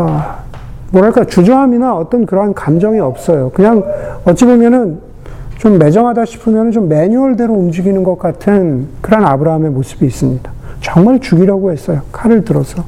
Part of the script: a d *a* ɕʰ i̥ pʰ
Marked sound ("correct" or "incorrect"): correct